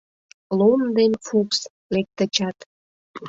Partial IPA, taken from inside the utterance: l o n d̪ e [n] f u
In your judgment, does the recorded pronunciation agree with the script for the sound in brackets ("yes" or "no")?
yes